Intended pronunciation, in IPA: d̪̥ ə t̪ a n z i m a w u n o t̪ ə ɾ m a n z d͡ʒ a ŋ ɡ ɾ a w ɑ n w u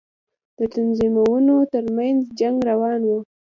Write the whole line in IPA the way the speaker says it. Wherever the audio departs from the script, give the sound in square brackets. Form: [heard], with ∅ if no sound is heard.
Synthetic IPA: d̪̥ ə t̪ a n z i m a w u n o t̪ ə ɾ m a n z d͡ʒ a ŋ ɡ ɾ a w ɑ n w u